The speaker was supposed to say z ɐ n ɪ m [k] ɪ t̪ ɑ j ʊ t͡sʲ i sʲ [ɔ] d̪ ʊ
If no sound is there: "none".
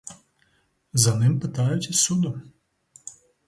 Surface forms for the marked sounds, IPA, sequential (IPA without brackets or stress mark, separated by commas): p, u